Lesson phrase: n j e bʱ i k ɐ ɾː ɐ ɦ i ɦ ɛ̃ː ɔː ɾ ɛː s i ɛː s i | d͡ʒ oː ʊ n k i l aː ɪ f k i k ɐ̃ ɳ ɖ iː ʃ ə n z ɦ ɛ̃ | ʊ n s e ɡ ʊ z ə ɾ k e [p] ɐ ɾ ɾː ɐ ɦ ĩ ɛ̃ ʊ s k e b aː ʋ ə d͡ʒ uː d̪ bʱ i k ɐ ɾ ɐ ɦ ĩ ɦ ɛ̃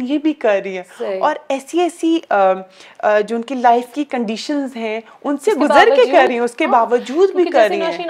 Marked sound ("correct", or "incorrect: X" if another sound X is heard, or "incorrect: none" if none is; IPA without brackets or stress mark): incorrect: k